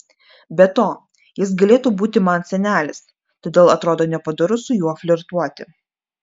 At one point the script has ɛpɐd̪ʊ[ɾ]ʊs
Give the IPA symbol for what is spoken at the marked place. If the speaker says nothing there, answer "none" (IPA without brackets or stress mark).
ɾ